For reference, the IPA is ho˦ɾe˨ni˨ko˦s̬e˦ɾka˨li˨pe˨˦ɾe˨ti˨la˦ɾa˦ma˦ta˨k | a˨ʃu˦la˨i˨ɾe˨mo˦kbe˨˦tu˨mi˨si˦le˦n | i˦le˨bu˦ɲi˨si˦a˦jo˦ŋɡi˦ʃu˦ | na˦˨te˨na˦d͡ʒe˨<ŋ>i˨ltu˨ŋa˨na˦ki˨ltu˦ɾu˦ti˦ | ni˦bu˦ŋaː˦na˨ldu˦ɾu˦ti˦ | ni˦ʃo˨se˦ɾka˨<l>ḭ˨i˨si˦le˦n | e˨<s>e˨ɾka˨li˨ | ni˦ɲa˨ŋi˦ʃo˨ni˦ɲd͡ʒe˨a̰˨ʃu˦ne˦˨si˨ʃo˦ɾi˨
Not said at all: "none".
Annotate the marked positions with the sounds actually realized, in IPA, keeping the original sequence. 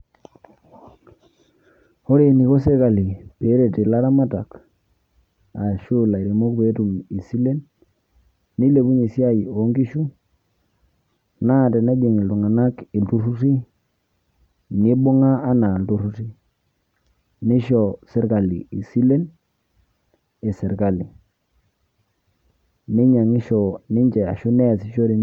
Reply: ŋ, l, s

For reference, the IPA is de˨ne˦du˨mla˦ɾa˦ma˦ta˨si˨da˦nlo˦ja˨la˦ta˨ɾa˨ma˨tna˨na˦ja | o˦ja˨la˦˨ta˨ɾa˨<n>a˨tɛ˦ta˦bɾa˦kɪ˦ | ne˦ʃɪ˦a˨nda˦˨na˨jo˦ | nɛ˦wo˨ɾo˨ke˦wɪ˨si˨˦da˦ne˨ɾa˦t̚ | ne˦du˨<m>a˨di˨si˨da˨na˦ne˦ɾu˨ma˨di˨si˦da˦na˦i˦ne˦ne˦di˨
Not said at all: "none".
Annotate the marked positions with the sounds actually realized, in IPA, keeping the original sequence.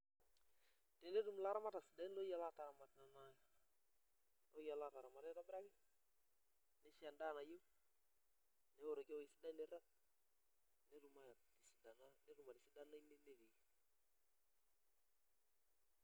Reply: m, m

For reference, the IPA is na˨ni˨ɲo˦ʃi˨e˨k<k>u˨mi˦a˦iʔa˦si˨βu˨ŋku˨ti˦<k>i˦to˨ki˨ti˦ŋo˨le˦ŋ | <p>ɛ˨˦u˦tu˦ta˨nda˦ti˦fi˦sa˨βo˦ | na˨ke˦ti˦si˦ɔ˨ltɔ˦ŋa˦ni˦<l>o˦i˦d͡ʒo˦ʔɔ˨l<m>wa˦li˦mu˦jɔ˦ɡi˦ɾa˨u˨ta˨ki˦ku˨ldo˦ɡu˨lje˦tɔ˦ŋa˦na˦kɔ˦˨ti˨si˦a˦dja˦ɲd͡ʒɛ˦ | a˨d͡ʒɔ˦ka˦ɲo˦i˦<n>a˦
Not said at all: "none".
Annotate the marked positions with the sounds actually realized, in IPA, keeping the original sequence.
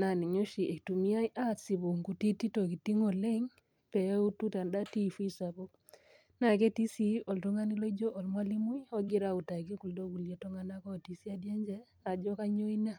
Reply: t, t, p, l, m, n

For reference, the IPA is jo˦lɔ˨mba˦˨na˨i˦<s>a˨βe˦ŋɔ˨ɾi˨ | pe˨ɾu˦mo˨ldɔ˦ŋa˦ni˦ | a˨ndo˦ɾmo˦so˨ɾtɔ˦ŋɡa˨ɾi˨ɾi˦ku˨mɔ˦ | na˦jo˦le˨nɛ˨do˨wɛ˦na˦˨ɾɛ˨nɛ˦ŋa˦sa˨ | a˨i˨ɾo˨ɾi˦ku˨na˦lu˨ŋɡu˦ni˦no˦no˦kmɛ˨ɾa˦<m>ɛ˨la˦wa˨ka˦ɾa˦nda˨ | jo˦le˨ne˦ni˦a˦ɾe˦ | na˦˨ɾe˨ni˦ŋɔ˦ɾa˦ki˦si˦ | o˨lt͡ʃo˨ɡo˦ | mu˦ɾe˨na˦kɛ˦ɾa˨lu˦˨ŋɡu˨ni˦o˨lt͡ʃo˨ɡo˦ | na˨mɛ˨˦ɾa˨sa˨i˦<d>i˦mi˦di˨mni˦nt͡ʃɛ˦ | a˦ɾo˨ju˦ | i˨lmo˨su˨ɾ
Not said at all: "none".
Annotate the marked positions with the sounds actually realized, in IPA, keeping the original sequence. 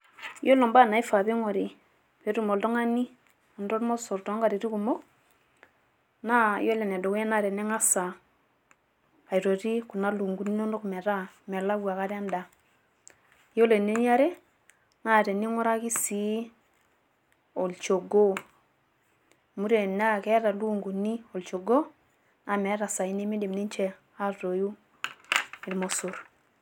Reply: f, m, n

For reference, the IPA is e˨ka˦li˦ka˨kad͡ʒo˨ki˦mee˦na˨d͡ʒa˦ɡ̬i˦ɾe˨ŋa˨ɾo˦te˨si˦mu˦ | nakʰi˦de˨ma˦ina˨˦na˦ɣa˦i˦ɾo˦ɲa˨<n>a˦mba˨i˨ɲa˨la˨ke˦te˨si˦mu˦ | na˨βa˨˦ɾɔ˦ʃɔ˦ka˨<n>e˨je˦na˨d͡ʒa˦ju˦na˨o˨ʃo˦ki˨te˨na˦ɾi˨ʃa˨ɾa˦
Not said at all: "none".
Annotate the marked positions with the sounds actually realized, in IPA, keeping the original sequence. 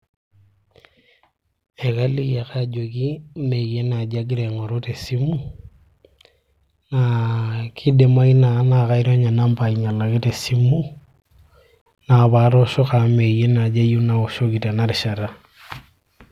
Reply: n, m

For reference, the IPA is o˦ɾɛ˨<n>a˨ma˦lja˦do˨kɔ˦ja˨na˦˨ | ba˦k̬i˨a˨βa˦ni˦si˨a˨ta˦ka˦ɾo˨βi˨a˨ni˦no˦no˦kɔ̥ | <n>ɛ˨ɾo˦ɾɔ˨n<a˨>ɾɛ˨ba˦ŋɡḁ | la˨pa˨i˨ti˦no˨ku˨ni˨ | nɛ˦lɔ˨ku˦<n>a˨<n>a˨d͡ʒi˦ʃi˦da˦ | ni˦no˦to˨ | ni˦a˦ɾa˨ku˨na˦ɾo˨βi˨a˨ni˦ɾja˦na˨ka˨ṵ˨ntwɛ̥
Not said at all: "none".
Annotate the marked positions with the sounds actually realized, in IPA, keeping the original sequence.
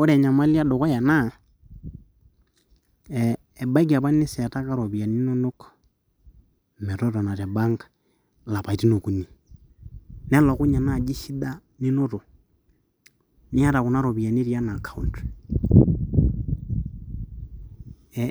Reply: ɲ, m, a˨, ɲ, n

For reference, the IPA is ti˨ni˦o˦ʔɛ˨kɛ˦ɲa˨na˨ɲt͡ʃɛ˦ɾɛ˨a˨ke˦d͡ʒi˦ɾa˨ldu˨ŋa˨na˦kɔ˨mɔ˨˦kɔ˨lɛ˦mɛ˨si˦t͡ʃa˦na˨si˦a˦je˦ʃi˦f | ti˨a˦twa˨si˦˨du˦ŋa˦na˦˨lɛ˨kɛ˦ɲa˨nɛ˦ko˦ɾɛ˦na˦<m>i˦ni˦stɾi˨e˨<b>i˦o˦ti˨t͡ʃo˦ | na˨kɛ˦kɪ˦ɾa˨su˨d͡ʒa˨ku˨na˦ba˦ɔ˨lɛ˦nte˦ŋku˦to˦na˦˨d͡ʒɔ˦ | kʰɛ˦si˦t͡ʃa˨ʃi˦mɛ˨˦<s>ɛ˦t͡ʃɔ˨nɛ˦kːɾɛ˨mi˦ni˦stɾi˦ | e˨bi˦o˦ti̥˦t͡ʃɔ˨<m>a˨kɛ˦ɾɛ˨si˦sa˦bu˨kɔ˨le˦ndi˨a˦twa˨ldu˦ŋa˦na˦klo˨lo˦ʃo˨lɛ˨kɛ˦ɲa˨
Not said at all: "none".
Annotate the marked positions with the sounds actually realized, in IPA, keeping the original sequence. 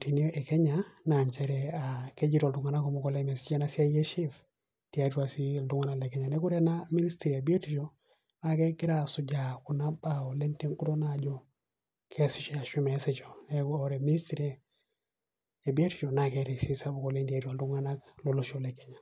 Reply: m, b, s, n

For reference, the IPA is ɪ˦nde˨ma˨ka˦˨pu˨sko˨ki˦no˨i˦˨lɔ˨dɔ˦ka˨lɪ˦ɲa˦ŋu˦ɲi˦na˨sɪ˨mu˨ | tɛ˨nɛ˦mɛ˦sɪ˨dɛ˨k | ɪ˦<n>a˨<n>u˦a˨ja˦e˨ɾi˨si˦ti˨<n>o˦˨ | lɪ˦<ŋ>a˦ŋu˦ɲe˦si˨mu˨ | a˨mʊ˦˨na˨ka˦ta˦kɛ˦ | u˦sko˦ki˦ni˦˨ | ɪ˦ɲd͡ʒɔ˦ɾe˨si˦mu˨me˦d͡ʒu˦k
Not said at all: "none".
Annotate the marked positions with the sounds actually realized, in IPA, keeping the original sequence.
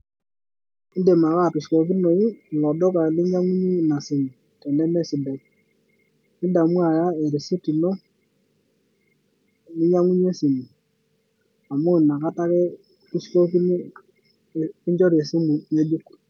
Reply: d, m, n, ɲ

